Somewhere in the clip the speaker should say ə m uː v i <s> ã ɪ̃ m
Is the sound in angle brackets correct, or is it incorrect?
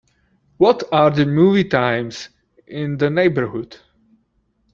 incorrect